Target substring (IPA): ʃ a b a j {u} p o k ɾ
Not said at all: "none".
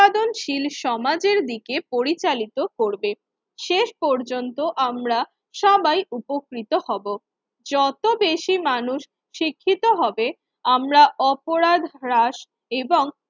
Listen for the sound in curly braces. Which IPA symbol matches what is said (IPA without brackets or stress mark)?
u